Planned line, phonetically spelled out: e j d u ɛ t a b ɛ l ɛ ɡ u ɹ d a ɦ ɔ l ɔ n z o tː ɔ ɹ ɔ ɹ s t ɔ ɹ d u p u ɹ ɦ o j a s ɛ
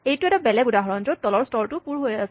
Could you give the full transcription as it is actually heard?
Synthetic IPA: e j t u ɛ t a b ɛ l ɛ ɡ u d a ɦ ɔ ɹ ɔ n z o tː ɔ l ɔ ɹ s t ɔ ɹ t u p u ɹ ɦ o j a s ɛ